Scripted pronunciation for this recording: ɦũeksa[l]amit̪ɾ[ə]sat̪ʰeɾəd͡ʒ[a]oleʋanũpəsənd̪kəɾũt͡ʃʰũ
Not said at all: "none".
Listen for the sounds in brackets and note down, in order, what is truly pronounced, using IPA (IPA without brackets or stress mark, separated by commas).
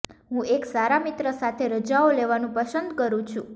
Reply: ɾ, ə, a